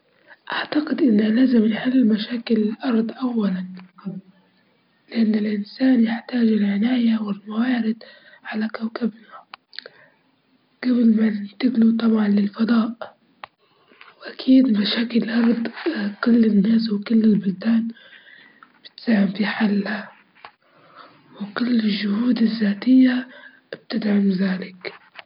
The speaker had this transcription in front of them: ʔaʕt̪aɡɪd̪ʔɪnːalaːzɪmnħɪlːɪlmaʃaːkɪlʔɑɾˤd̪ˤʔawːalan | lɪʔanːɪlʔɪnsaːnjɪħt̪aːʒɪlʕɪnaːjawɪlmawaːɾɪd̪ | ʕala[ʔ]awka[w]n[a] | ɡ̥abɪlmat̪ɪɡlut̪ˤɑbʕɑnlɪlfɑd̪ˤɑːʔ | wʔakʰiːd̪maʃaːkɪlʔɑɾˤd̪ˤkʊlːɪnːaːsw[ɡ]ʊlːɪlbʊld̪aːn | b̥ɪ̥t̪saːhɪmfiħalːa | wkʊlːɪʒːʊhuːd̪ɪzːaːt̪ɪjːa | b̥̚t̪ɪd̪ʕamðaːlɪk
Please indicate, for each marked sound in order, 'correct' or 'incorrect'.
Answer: incorrect, incorrect, correct, incorrect

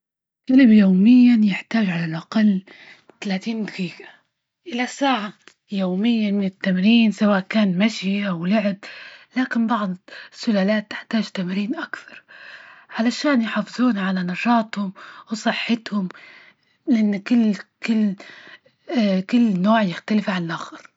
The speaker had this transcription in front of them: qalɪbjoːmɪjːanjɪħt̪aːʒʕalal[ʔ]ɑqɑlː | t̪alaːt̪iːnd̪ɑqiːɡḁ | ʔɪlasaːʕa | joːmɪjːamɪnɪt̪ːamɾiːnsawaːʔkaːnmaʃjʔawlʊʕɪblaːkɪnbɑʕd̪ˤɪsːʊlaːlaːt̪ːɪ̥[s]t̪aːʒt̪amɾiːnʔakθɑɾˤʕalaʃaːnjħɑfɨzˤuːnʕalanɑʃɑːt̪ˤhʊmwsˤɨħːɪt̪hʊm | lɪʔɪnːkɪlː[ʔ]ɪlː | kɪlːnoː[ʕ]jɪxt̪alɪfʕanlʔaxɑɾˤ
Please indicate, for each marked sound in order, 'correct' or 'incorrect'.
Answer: correct, incorrect, incorrect, correct

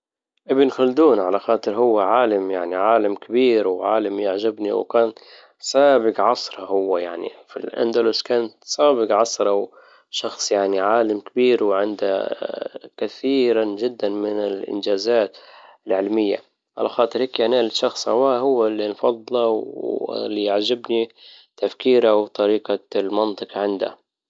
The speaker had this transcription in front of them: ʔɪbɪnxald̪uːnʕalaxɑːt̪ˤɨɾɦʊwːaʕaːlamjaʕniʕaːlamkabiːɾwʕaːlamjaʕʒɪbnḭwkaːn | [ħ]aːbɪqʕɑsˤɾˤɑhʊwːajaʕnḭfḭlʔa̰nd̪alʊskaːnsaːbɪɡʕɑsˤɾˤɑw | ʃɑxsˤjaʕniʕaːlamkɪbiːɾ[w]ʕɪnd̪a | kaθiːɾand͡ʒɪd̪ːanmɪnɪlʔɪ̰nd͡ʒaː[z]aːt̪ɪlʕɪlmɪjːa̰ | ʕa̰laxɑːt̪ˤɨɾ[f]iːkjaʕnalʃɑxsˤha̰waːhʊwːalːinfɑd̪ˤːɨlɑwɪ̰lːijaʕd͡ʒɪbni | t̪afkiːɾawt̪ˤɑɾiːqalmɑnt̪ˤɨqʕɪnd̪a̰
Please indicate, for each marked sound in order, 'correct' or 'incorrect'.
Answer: incorrect, correct, correct, incorrect

